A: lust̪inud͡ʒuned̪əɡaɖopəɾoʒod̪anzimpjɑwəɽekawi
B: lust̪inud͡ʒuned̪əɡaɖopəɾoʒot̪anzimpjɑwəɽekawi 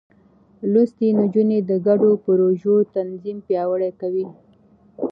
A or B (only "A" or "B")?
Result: B